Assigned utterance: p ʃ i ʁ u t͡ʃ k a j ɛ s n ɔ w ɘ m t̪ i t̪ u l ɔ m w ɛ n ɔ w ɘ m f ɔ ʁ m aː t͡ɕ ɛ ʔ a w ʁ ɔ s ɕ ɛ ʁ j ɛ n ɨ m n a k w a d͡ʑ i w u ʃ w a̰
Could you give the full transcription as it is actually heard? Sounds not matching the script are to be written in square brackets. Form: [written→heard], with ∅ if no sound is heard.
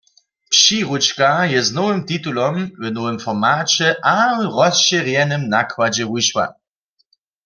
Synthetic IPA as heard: p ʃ i ʁ u t͡ʃ k a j ɛ [s→z] n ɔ w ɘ m t̪ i t̪ u l ɔ m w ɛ n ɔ w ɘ m f ɔ ʁ m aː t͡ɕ ɛ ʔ a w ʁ ɔ s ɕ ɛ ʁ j ɛ n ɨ m n a k w a d͡ʑ [i→ɛ] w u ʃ w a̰

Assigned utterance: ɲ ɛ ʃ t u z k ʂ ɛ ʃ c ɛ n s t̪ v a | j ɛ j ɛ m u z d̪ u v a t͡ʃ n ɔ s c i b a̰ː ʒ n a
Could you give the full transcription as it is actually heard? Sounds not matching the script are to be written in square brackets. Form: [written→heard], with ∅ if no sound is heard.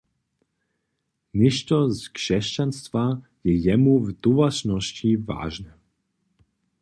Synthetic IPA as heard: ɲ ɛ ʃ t [u→ɔ] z k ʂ ɛ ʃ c [ɛ→a] n s t̪ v a | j ɛ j ɛ m u [z→v] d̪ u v a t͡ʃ n ɔ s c i [b→v] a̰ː ʒ n [a→ɛ]

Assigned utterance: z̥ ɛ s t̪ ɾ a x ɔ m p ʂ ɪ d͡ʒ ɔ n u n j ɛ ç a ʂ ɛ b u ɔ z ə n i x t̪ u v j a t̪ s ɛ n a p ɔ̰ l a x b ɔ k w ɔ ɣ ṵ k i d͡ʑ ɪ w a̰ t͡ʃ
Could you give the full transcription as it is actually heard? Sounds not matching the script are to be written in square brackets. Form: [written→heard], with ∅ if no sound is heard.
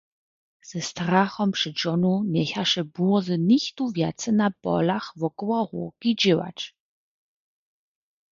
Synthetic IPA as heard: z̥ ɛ s t̪ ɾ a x ɔ m p ʂ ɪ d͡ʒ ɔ n u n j ɛ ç a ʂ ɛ b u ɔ z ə n i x t̪ u v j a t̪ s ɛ n a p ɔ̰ l a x [b→v] ɔ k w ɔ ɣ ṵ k i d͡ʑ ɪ w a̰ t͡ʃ

